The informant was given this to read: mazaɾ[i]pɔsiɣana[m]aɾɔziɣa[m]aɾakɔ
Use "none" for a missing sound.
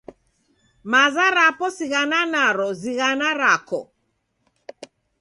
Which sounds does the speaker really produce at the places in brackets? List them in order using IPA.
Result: a, n, n

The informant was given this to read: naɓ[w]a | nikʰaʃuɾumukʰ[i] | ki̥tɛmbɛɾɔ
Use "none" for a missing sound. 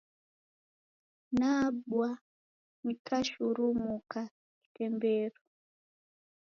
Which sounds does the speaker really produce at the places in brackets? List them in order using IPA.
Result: w, a

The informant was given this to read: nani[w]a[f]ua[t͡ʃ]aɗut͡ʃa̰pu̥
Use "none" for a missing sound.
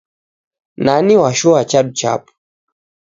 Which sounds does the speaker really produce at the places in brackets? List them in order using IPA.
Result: w, ʃ, t͡ʃ

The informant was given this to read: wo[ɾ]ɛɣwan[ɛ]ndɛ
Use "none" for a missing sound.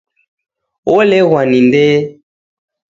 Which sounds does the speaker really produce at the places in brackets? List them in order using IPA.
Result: l, i

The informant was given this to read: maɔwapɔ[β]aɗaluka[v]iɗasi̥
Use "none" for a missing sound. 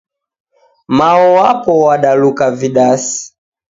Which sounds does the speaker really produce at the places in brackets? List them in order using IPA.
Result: w, v

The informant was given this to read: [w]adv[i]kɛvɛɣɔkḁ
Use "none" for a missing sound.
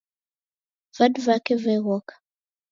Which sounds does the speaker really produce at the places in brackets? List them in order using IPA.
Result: v, a

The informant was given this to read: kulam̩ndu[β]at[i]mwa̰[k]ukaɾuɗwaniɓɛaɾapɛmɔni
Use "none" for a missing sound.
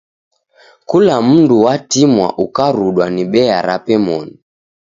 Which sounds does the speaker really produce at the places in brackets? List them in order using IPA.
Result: w, i, ʔ

